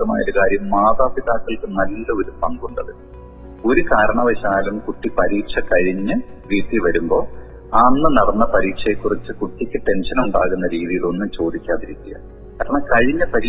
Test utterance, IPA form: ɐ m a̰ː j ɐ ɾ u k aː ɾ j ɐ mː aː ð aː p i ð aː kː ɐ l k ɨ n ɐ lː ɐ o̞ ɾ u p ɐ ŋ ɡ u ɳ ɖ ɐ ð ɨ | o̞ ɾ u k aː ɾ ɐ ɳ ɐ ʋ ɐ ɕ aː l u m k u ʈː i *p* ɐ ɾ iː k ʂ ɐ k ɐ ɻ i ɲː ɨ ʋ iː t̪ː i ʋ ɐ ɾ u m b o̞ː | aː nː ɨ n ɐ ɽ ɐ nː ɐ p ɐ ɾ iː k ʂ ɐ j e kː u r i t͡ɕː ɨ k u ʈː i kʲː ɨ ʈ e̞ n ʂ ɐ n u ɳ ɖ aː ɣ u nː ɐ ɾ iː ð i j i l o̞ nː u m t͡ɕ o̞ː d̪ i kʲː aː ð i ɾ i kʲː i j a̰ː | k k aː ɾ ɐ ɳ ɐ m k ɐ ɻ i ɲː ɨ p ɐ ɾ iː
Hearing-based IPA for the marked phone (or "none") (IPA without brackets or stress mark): p